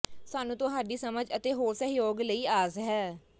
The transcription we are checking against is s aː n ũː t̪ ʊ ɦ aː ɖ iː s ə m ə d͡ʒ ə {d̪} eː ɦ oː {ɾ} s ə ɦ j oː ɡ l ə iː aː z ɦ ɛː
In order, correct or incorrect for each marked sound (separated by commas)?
incorrect, correct